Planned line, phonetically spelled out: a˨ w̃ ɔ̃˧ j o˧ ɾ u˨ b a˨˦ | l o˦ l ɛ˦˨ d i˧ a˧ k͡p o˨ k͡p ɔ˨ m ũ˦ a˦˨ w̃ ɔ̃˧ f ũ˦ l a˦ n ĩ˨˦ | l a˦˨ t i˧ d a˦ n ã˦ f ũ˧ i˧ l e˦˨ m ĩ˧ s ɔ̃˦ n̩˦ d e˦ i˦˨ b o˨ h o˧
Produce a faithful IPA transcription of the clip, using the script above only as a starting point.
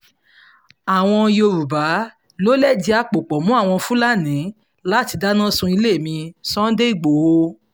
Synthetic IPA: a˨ w̃ ɔ̃˧ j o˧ ɾ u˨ b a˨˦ | l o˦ l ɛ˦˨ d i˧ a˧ k͡p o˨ k͡p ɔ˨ m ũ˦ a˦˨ w̃ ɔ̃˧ f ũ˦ l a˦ n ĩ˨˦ | l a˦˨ t i˧ d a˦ n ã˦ s ũ˧ i˧ l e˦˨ m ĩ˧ s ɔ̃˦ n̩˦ d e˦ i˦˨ ɡ͡b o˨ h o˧